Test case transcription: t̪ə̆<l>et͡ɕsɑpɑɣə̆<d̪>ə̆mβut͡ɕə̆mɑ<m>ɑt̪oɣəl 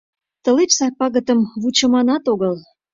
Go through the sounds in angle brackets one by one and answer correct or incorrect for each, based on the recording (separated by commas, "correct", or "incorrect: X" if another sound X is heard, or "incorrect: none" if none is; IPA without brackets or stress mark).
correct, incorrect: t̪, incorrect: n